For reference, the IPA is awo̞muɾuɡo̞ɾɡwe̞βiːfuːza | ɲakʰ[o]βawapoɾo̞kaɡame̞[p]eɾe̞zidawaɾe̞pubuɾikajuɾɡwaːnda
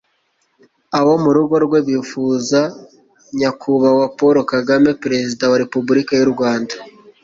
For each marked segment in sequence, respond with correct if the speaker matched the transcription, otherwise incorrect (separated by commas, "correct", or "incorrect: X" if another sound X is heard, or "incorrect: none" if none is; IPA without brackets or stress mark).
incorrect: u, correct